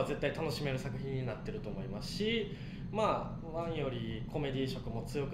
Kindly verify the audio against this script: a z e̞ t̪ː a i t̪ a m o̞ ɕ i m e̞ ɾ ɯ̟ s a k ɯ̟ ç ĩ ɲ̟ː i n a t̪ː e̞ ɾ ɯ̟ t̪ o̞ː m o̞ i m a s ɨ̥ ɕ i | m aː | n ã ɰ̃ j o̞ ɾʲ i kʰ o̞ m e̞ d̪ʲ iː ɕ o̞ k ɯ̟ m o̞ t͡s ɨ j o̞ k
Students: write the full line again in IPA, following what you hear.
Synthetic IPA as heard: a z e̞ t̪ː a i t̪ a n o̞ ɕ i m e̞ ɾ ɯ̟ s a k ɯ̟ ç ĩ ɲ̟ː i n a t̪ː e̞ ɾ ɯ̟ t̪ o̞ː m o̞ i m a s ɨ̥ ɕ i | m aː | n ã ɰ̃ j o̞ ɾʲ i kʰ o̞ m e̞ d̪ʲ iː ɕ o̞ k ɯ̟ m o̞ t͡s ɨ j o̞ k

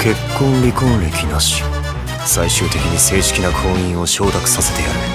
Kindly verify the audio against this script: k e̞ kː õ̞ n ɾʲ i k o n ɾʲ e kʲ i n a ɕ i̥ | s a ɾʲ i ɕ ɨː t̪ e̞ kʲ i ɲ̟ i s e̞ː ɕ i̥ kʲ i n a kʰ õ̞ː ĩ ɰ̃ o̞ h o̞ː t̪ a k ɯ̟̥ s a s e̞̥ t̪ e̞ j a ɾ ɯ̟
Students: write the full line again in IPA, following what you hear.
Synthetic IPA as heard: k e̞ kː õ̞ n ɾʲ i k õ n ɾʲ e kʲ i n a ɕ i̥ | s a i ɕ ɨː t̪ e̞ kʲ i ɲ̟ i s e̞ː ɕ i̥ kʲ i n a kʰ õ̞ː ĩ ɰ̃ o̞ ɕ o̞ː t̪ a k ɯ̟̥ s a s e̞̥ t̪ e̞ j a ɾ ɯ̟

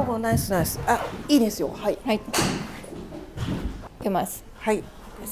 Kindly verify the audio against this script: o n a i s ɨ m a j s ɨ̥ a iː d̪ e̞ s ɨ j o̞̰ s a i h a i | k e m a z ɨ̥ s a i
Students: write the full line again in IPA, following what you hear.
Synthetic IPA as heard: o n a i s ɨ n a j s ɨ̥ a iː d̪ e̞ s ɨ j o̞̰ h a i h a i | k e m a s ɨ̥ h a i

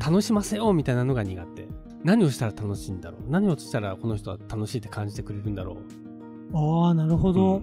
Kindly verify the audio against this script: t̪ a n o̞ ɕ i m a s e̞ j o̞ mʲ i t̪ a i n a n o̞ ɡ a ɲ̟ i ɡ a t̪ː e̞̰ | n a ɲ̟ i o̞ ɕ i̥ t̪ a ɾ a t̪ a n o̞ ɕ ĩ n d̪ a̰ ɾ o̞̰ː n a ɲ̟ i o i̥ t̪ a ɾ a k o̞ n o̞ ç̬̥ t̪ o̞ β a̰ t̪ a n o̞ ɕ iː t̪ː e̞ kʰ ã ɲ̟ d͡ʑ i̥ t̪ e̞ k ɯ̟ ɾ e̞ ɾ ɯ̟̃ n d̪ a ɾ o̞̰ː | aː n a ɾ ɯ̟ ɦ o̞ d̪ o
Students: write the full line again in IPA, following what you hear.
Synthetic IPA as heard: t̪ a n o̞ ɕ i m a s e̞ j o̞ mʲ i t̪ a i n a n o̞ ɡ a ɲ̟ i ɡ a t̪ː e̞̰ | n a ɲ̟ i o̞ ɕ i̥ t̪ a ɾ a t̪ a n o̞ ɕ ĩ n d̪ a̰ ɾ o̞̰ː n a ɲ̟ i o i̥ t̪ a ɾ a k o̞ n o̞ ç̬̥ t̪ o̞ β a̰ t̪ a n o̞ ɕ iː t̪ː e̞ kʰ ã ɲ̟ d͡ʑ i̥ t̪ e̞ k ɯ̟ ɾ e̞ ɾ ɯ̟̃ n d̪ a ɾ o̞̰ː | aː n a ɾ ɯ̟ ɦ o̞ d̪ o

